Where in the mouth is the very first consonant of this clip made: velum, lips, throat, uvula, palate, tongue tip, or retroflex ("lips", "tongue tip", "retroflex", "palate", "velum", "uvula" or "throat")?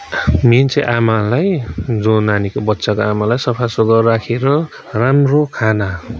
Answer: lips